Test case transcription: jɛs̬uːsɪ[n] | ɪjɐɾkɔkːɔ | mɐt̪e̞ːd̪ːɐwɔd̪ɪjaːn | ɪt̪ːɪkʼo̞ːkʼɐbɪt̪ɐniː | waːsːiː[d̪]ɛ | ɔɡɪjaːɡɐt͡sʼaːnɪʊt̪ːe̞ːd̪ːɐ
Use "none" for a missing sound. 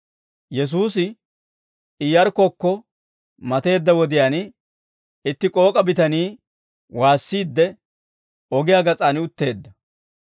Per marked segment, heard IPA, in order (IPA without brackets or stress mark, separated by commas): none, d̪ː